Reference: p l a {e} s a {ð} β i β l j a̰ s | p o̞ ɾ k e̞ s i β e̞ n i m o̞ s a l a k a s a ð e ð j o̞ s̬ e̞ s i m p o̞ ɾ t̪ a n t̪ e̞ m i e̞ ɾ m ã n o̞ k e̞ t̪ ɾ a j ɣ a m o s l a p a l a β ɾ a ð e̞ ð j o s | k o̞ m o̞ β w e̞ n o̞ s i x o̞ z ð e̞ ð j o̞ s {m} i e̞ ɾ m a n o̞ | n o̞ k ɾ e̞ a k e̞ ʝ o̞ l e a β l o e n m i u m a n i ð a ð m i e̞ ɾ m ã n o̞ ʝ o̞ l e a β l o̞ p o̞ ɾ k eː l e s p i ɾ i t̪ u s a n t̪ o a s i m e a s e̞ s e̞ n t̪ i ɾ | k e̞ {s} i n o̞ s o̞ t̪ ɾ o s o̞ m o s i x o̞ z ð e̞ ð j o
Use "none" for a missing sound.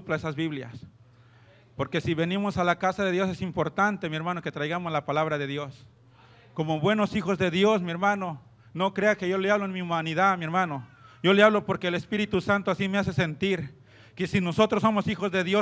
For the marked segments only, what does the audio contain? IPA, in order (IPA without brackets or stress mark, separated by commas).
e, z, m, s